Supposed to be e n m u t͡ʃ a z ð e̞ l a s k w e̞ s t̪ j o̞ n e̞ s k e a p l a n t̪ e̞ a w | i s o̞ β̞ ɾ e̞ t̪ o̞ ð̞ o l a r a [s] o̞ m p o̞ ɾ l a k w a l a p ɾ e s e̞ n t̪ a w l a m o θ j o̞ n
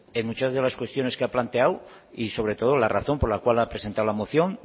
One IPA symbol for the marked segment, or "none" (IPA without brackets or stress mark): θ